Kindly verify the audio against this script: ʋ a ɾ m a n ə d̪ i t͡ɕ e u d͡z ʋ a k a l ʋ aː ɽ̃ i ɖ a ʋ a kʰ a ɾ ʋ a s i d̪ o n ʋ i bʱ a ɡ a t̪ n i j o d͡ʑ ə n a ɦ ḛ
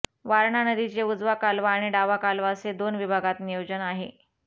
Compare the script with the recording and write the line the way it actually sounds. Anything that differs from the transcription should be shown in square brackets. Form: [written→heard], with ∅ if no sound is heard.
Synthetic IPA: ʋ a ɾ [m→ɳ] a n ə d̪ i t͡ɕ e u d͡z ʋ a k a l ʋ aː ɽ̃ i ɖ a ʋ a [kʰ→k] a [ɾ→l] ʋ a s [i→e] d̪ o n ʋ i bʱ a ɡ a t̪ n i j o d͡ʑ ə n a ɦ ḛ